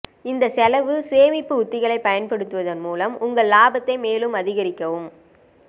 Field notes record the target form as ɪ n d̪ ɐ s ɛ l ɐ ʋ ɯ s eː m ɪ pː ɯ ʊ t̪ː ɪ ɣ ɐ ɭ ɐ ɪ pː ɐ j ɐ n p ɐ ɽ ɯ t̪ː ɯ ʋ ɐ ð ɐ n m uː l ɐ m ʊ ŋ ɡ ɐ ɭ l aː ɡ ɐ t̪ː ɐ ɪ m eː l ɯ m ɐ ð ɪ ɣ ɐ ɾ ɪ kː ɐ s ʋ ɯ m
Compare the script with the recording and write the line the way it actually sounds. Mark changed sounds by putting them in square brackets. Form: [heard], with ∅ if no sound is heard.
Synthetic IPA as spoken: ɪ n d̪ ɐ s ɛ l ɐ ʋ ɯ s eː m ɪ pː ɯ ʊ t̪ː ɪ ɣ ɐ ɭ ɐ ɪ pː ɐ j ɐ n p ɐ ɽ ɯ t̪ː ɯ ʋ ɐ ð ɐ n m uː l ɐ m ʊ ŋ ɡ ɐ ɭ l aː [b] ɐ t̪ː ɐ ɪ m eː l ɯ m ɐ ð ɪ ɣ ɐ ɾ ɪ kː ɐ [∅] ʋ ɯ m